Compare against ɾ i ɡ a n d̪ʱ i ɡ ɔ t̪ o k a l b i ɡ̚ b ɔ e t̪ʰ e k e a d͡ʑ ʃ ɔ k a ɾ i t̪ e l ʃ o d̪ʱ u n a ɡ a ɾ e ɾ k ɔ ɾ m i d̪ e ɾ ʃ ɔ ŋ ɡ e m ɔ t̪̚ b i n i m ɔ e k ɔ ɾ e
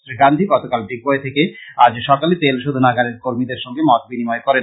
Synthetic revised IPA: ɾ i ɡ a n d̪ʱ i ɡ ɔ t̪ o k a l b i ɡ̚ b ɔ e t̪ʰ e k e a d͡ʑ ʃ ɔ k a l i t̪ e l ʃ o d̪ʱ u n a ɡ a ɾ e ɾ k o ɾ m i d̪ e ɾ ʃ ɔ ŋ ɡ e m ɔ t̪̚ b i n i m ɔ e k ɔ ɾ e